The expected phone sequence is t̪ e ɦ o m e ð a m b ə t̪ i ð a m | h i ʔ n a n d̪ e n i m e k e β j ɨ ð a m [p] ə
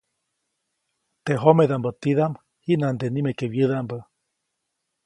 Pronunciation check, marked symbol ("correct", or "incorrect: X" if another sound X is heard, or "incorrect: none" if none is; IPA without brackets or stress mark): incorrect: b